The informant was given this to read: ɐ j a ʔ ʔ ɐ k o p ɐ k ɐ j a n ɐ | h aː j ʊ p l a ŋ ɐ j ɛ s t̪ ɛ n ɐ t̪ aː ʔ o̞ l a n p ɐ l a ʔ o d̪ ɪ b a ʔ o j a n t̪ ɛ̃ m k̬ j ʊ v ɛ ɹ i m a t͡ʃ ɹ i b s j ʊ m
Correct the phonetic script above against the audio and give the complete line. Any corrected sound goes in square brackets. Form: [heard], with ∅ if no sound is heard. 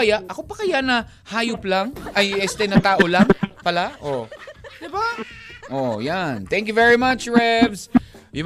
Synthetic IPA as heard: ɐ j a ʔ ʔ ɐ k o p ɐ k ɐ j a n ɐ | h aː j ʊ p l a ŋ ɐ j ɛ s t̪ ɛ n ɐ t̪ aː ʔ o̞ l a [ŋ] p ɐ l a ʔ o d̪ ɪ b a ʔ o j a n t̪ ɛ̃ [ŋ] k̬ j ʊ v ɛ ɹ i m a t͡ʃ ɹ [ɛ] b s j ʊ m